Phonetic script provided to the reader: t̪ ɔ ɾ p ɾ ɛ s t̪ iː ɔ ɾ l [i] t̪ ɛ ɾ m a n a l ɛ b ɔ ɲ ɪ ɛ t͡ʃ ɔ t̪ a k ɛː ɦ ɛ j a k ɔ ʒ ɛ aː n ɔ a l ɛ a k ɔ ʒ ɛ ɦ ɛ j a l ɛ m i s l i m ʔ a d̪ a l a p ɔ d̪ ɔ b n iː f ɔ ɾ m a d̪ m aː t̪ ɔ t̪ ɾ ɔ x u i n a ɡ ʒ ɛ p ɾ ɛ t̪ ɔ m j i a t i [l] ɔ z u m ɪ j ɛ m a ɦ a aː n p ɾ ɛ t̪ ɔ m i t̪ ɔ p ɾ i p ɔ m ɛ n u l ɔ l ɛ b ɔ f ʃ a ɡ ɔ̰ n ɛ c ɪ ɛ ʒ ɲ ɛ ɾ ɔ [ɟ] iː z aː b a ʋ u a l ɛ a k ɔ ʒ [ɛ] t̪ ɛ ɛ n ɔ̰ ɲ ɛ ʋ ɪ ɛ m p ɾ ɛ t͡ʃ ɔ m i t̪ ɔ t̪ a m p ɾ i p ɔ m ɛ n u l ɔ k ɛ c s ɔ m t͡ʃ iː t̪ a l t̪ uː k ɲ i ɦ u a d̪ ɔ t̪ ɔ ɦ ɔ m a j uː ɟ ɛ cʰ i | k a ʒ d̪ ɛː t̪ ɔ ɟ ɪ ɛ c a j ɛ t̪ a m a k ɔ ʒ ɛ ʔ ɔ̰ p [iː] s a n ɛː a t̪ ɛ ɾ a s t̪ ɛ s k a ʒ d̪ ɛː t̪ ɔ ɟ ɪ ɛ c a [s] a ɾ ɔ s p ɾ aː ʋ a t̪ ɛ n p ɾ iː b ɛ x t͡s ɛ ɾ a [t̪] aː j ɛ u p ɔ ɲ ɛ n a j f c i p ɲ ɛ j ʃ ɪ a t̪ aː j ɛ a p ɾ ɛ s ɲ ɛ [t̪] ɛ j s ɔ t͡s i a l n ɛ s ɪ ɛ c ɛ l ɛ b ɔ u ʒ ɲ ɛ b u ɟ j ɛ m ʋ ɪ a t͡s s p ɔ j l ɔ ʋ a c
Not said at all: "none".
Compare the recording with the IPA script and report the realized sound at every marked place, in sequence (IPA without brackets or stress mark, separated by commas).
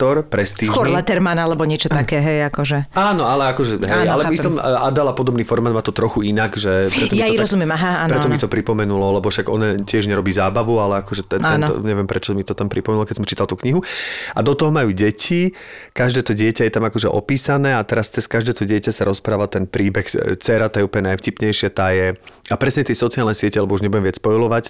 ɛ, ɾ, b, ɛ, iː, s, t̪, t̪